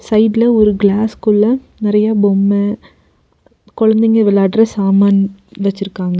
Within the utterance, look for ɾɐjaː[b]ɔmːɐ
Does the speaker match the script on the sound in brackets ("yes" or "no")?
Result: yes